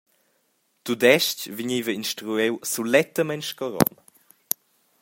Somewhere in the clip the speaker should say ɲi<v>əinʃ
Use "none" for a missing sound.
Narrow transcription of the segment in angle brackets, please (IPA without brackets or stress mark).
v